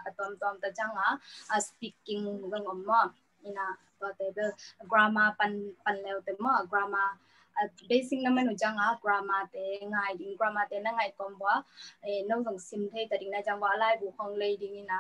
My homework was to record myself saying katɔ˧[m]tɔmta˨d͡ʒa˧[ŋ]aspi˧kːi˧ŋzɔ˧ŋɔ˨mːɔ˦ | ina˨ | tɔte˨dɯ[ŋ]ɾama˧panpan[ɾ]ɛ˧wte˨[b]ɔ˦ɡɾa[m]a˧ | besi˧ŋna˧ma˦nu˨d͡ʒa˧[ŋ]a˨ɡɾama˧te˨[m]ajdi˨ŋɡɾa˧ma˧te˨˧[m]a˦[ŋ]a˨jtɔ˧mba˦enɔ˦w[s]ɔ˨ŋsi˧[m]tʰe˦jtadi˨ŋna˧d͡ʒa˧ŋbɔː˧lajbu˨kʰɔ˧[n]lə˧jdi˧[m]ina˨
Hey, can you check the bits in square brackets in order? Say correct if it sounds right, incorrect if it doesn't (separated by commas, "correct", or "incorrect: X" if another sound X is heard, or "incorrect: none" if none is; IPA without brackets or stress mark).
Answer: correct, correct, incorrect: ɡ, incorrect: l, incorrect: m, correct, correct, incorrect: ŋ, incorrect: n, correct, incorrect: z, correct, incorrect: ŋ, incorrect: ŋ